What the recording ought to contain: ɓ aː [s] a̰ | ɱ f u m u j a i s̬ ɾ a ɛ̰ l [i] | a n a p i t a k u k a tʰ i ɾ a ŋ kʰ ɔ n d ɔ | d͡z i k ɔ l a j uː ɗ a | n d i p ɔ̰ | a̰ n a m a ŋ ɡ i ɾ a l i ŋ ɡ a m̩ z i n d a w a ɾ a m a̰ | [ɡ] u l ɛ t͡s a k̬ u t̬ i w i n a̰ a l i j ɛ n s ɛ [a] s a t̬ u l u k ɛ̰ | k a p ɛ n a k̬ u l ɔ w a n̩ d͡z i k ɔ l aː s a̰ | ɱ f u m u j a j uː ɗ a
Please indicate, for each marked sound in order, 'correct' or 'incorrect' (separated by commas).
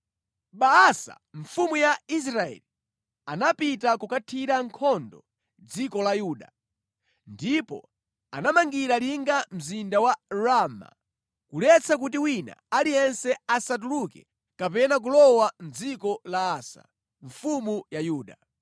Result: correct, correct, incorrect, correct